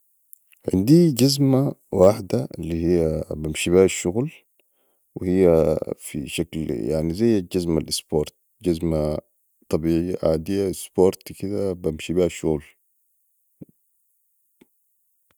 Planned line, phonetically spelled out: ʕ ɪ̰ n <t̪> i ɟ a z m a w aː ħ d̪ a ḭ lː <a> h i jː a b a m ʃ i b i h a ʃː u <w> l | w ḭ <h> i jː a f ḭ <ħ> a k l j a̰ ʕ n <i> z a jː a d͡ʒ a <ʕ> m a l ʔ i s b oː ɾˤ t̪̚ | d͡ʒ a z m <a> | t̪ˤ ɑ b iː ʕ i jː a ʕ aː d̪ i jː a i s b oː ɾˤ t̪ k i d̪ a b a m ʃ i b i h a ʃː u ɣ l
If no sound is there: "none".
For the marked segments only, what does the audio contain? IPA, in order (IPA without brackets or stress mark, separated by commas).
d̪, i, ɣ, h, ʃ, i, z, a